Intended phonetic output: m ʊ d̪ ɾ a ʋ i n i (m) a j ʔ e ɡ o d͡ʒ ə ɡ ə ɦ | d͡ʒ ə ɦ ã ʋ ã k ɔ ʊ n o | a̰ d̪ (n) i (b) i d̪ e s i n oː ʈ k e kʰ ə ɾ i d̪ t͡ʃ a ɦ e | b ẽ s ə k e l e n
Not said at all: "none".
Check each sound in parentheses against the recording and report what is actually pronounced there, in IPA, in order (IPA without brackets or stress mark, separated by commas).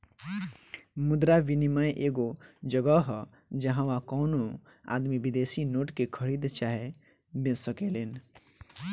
m, m, b